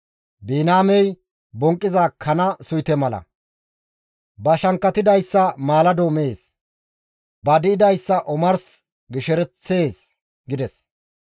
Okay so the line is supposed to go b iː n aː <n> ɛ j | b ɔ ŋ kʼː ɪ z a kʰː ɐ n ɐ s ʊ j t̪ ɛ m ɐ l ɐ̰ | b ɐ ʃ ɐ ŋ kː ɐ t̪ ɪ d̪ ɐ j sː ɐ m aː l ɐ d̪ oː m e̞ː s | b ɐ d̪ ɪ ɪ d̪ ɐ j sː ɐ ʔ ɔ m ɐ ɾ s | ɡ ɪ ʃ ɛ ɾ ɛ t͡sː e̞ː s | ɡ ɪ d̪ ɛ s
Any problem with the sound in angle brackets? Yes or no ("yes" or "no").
yes